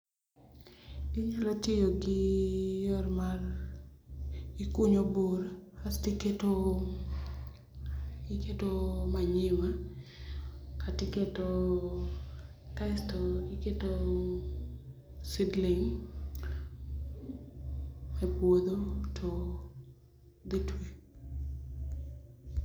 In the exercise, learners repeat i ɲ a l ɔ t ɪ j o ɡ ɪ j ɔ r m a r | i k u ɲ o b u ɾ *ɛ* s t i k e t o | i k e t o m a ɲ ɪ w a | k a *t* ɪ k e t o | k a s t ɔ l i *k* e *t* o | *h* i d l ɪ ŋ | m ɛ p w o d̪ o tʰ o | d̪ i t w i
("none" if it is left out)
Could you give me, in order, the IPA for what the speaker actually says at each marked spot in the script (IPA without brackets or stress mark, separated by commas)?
a, t, k, t, s